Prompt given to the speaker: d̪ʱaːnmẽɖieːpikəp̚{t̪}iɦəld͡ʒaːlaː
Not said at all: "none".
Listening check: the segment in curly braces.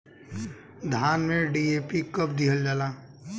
d̪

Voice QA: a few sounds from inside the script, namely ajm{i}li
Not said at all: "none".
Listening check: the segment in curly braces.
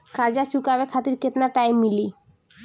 i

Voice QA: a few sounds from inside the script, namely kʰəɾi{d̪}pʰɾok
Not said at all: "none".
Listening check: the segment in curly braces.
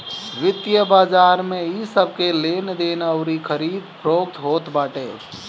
d̪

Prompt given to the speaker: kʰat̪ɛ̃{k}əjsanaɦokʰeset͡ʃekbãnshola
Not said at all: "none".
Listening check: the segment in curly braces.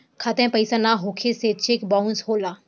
p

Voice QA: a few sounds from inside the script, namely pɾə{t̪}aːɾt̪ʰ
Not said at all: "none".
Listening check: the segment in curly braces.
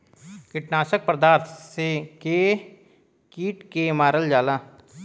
d̪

